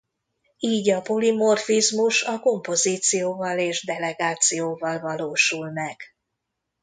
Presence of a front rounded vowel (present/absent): absent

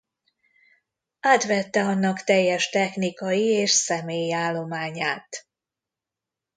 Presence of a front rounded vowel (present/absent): absent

